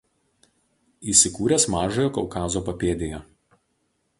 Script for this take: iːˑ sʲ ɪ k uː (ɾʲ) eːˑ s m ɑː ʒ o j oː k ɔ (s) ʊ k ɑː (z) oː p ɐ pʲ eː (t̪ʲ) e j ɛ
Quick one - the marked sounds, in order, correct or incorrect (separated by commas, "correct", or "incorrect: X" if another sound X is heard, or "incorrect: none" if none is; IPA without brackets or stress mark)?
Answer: correct, incorrect: none, correct, incorrect: d̪ʲ